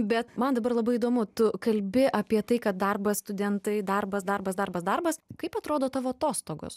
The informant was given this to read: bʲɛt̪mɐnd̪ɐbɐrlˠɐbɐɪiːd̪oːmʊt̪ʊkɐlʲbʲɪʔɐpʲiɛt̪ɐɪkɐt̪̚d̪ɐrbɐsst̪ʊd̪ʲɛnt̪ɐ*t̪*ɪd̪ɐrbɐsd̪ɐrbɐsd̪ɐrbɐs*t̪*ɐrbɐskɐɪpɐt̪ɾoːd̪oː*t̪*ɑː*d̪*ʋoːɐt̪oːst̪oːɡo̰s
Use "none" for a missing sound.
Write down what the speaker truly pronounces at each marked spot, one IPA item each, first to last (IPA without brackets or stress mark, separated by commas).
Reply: none, d̪, t̪, none